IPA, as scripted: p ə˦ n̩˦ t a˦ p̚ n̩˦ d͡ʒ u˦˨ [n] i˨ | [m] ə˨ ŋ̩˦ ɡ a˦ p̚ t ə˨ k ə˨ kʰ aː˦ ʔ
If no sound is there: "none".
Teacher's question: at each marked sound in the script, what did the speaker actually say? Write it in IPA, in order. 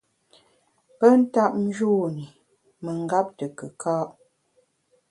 n, m

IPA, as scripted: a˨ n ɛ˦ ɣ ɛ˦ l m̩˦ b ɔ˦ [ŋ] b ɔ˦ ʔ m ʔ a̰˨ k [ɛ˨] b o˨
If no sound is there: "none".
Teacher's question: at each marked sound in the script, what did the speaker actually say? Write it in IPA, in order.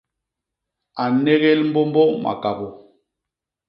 m, a˨

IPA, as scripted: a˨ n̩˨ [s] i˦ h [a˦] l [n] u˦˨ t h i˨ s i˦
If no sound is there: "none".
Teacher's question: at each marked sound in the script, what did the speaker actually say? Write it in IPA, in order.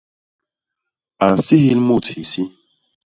s, i˦, m

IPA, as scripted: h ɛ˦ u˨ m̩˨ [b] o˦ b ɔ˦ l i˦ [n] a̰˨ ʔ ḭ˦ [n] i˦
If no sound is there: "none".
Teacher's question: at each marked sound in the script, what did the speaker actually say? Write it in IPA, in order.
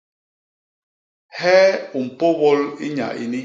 p, ɲ, n

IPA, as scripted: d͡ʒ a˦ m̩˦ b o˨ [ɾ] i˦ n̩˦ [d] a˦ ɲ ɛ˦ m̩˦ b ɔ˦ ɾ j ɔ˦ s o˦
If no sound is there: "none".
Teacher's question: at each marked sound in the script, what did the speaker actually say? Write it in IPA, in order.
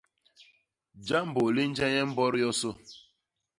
l, d͡ʒ

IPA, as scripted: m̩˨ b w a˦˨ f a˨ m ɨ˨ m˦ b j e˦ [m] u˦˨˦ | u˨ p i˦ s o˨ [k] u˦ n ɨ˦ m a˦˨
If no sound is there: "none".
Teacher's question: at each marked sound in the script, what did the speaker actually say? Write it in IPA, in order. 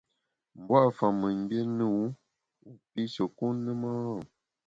n, k

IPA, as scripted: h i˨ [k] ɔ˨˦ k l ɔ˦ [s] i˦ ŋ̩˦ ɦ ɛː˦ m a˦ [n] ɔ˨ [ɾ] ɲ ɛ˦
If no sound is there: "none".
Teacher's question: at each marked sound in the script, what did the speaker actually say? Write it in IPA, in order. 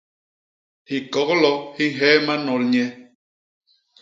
k, h, n, l

